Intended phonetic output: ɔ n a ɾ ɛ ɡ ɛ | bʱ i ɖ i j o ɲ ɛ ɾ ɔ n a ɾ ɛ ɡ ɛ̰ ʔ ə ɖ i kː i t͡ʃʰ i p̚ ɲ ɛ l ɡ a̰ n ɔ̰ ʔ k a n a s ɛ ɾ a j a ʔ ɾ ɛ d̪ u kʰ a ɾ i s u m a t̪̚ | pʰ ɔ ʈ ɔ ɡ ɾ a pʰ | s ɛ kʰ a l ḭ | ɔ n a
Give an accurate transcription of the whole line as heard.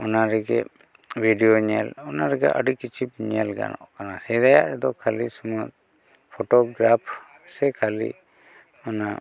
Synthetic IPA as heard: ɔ n a ɾ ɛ ɡ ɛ | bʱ i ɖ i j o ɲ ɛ l ɔ n a ɾ ɛ ɡ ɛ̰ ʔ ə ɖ i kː i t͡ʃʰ i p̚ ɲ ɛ l ɡ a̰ n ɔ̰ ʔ k a n a s ɛ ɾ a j a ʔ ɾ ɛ d̪ ɔ kʰ a l i s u m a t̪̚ | pʰ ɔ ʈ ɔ ɡ ɾ a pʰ | s ɛ kʰ a l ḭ | ɔ n a